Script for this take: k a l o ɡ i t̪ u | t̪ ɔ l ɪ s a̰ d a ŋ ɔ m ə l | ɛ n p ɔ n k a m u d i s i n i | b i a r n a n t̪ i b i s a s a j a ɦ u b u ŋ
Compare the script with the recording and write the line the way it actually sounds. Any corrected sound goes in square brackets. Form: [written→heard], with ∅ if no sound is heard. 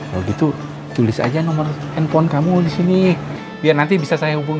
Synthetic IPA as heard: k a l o ɡ i t̪ u | t̪ [ɔ→u] l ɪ s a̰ [d→d͡ʒ] a [ŋ→n] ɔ m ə [l→r] | ɛ n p ɔ n k a m u d i s i n i | b i a r n a n t̪ i b i s a s a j a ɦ u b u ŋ